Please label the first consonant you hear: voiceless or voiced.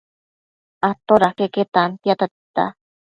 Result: voiceless